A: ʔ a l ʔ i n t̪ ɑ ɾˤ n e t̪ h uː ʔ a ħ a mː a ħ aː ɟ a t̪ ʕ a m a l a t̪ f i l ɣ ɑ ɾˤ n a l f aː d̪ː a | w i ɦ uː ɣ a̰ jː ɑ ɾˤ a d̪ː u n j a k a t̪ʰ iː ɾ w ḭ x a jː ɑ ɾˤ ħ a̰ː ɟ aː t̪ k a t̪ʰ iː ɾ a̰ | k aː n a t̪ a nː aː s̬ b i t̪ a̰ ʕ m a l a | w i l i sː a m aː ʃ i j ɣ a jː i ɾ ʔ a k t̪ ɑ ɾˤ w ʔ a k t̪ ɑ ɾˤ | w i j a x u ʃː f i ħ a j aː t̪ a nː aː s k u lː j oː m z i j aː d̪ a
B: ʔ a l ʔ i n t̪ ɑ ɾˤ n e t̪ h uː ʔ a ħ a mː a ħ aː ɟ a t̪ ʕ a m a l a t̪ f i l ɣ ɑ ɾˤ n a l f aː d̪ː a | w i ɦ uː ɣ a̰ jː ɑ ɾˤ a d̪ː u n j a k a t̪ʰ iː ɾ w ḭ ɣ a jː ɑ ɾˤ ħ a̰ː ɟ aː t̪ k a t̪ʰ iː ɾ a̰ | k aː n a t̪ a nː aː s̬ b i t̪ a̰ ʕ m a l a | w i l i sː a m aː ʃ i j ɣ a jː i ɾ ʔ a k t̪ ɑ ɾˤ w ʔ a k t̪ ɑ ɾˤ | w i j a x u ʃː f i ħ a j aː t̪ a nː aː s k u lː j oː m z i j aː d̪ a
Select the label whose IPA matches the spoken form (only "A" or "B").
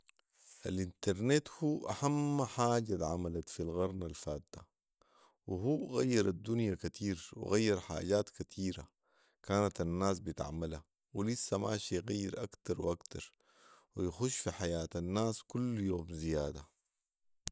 B